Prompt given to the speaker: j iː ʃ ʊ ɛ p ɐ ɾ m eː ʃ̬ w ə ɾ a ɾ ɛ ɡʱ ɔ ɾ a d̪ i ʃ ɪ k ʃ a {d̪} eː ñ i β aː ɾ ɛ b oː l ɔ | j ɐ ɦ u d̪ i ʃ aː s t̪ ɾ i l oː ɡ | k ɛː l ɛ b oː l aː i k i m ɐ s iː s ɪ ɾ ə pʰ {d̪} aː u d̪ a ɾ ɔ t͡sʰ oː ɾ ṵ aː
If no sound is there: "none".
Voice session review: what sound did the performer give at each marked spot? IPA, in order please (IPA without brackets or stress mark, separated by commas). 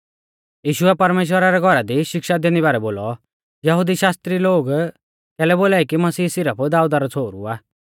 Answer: d̪, d̪